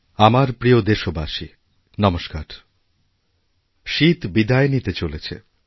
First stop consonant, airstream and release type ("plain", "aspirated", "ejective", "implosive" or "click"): plain